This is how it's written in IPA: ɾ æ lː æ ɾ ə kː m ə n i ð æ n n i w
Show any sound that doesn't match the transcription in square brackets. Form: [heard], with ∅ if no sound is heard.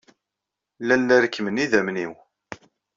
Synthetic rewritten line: [l] æ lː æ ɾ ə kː m ə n i ð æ [m] n i w